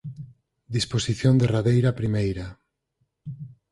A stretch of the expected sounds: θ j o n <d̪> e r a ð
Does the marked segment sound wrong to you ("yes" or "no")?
no